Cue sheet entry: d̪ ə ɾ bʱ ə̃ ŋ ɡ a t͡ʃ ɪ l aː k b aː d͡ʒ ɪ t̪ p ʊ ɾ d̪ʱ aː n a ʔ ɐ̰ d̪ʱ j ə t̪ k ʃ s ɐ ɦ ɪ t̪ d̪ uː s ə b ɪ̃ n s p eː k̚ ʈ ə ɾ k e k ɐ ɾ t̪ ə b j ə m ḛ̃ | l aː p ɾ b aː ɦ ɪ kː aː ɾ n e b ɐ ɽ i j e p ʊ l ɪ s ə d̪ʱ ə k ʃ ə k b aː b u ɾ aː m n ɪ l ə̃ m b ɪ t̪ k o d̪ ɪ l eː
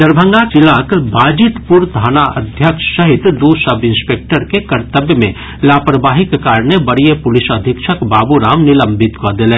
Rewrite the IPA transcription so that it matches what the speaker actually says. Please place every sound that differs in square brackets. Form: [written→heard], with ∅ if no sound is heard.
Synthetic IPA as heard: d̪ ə ɾ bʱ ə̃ ŋ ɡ a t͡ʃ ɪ l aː k b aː d͡ʒ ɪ t̪ p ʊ ɾ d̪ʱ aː n a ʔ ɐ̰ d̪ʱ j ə [t̪→∅] k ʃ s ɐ ɦ ɪ t̪ d̪ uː s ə b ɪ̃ n s p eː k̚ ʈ ə ɾ k e k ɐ ɾ t̪ ə b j ə m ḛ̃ | l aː p ɾ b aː ɦ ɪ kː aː ɾ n e b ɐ ɽ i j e p ʊ l ɪ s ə d̪ʱ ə k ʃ ə k b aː b u ɾ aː m n ɪ l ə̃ m b ɪ t̪ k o d̪ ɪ l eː